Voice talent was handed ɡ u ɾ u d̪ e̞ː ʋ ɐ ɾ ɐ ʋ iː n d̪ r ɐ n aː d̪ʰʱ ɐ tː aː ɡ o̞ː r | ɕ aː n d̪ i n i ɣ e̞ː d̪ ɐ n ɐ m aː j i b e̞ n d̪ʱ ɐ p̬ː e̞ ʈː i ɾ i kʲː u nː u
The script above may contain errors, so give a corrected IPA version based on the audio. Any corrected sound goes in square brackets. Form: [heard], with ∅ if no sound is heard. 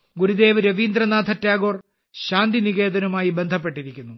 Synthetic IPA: ɡ u ɾ u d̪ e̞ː ʋ ɐ ɾ ɐ ʋ iː n d̪ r ɐ n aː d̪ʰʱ ɐ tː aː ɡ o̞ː r | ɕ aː n d̪ i n i ɣ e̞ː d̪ ɐ n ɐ m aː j i b e̞ n d̪ʱ ɐ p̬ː e̞ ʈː i ɾ i kʲː u nː u